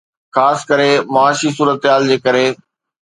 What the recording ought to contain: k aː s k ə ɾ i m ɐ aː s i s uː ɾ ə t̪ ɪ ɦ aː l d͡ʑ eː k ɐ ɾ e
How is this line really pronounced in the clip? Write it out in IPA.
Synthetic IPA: x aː s k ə ɾ e m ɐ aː ʃ i s uː ɾ ə t̪ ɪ ɦ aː l d͡ʑ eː k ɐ ɾ e